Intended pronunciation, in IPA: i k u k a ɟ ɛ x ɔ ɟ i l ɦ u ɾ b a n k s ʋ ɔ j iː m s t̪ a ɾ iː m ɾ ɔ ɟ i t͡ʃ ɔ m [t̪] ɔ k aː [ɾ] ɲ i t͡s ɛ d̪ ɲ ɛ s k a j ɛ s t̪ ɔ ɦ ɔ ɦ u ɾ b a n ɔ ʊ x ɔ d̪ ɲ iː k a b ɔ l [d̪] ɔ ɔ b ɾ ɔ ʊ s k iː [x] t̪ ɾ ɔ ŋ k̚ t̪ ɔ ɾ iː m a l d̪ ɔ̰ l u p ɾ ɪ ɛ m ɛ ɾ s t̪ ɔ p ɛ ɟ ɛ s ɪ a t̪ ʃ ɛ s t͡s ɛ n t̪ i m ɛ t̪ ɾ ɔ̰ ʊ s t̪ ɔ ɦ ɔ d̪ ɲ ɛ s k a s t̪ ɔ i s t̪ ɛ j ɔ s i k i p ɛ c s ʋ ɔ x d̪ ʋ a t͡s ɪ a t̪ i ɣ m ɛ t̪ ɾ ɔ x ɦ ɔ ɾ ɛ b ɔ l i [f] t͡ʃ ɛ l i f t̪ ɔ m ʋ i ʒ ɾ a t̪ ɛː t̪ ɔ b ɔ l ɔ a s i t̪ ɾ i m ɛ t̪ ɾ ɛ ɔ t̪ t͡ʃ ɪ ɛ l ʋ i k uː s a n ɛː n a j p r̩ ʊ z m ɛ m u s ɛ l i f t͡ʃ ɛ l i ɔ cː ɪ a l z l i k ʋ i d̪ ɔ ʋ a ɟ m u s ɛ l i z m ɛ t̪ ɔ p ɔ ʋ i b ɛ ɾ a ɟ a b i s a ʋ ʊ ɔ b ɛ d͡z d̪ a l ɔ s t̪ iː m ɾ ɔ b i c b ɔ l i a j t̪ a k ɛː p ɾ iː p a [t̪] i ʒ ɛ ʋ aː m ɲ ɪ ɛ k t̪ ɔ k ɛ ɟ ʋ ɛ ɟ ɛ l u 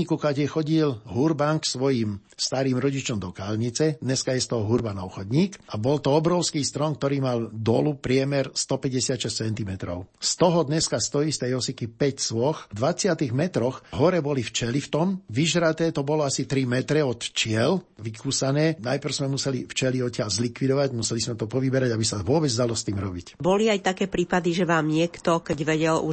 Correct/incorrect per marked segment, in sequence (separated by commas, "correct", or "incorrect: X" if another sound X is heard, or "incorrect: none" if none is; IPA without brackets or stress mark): incorrect: d̪, incorrect: l, incorrect: t̪, incorrect: s, correct, incorrect: d̪